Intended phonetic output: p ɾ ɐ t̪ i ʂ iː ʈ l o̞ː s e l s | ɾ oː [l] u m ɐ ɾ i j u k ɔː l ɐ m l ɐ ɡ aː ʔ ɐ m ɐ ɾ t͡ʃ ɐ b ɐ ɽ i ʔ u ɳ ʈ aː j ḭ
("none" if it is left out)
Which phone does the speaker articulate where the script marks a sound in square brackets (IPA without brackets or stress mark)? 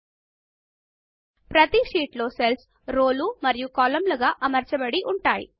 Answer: l